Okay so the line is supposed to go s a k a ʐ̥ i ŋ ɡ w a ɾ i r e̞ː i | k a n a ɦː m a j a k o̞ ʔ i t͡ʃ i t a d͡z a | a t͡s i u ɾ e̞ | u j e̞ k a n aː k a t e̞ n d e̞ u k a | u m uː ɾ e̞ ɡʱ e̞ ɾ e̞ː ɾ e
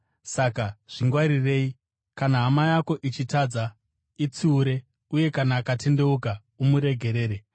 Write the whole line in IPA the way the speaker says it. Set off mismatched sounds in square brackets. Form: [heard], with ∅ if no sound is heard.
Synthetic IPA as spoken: s a k a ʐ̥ i ŋ ɡ w a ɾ i r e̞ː i | k a n a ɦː m a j a k o̞ ʔ i t͡ʃ i t a d͡z a | [i] t͡s i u ɾ e̞ | u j e̞ k a n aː k a t e̞ n d e̞ u k a | u m [u] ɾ e̞ ɡʱ e̞ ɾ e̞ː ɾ e